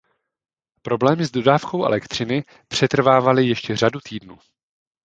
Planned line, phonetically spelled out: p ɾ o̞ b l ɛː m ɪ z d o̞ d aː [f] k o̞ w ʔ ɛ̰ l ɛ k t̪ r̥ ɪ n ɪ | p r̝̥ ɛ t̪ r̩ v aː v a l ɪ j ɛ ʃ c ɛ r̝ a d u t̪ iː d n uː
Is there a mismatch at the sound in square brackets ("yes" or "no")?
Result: no